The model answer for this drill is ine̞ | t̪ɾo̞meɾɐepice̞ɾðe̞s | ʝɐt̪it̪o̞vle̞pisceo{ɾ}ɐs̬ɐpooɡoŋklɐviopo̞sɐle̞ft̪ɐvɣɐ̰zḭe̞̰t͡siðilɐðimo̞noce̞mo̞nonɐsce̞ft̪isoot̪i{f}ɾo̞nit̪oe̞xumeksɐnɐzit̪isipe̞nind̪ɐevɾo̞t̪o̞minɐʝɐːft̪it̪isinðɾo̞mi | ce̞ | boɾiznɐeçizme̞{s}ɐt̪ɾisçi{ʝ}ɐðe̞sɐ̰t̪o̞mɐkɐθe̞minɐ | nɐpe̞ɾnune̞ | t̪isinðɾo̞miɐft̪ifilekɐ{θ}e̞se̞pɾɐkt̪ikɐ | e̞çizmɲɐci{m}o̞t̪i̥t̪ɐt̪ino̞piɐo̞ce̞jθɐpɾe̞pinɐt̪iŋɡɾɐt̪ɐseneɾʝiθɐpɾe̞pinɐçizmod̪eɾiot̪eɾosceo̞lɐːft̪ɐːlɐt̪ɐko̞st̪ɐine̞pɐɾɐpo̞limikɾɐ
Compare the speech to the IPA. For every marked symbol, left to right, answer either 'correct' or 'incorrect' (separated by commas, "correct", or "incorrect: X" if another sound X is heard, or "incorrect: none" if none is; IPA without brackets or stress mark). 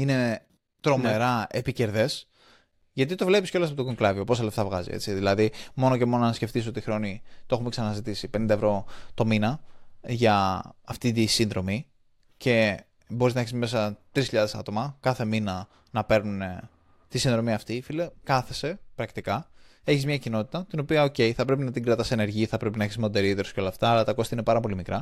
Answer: incorrect: l, incorrect: x, correct, incorrect: ʎ, correct, incorrect: n